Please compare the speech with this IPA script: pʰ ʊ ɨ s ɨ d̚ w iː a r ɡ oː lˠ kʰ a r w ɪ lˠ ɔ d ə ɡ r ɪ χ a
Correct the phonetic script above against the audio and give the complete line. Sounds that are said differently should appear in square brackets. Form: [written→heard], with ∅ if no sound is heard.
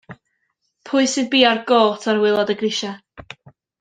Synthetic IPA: pʰ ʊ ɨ s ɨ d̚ [w→b] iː a r ɡ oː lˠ [kʰ→tʰ] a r w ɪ lˠ ɔ d ə ɡ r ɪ [χ→ʃ] a